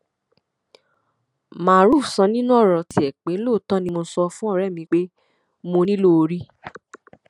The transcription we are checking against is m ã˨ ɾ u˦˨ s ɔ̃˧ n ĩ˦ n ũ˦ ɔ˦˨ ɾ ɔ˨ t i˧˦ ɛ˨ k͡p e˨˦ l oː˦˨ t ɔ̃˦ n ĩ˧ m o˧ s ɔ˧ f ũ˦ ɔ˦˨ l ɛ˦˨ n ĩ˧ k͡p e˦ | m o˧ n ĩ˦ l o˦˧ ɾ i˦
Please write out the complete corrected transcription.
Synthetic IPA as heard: m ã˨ ɾ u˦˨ s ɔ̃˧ n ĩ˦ n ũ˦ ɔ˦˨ ɾ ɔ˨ t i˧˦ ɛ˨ k͡p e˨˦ l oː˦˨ t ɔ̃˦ n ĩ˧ m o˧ s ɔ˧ f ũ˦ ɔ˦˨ ɾ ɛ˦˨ m ĩ˧ k͡p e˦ | m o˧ n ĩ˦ l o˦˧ ɾ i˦